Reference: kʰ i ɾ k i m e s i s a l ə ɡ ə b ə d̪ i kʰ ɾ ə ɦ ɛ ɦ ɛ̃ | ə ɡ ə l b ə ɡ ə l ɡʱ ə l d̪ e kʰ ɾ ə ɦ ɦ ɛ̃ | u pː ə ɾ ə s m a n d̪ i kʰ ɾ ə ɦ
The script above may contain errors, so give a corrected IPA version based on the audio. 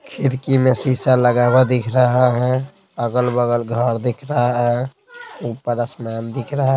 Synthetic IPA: kʰ i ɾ k i m e s i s a l ə ɡ a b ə d̪ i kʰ ɾ ə ɦ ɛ ɦ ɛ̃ | ə ɡ ə l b ə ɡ ə l ɡʱ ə ɾ d̪ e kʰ ɾ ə ɦ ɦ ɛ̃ | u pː ə ɾ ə s m a n d̪ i kʰ ɾ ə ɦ